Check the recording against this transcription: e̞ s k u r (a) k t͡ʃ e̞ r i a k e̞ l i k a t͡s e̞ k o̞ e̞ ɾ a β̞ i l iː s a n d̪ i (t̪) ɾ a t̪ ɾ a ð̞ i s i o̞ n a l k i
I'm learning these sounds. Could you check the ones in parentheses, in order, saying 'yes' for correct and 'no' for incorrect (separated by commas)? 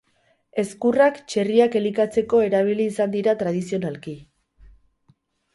yes, no